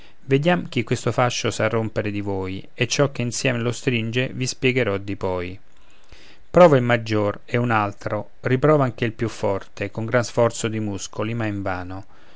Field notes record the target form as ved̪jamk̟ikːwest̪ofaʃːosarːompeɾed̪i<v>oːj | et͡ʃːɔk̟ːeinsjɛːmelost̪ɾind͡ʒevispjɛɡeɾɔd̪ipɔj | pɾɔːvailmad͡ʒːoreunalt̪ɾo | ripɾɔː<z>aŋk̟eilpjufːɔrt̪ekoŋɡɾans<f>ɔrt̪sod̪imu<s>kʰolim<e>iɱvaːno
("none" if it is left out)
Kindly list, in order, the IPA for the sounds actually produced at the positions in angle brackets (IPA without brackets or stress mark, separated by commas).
v, v, f, s, a